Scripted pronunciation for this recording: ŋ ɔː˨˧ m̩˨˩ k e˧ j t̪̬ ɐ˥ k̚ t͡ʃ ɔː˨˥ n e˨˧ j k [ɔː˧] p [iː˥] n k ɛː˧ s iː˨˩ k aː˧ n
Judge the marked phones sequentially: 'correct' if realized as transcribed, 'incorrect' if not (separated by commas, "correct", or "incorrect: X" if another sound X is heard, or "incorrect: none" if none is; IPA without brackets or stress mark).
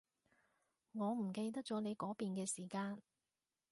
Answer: incorrect: ɔː˨˥, incorrect: iː˨˧